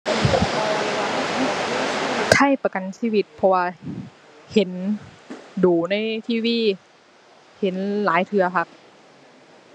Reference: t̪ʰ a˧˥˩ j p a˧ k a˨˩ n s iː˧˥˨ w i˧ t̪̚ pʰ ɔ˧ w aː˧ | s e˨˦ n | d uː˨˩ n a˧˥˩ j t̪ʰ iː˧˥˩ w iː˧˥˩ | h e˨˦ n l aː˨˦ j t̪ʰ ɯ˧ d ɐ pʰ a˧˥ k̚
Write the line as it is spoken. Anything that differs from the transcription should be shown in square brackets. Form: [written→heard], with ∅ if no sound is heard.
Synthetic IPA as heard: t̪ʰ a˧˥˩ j p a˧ k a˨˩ n s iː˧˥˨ w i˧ t̪̚ pʰ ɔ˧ w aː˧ | [s→h] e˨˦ n | d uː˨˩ n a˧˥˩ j t̪ʰ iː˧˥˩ w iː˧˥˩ | h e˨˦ n l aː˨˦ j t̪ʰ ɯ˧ [d→∅] ɐ pʰ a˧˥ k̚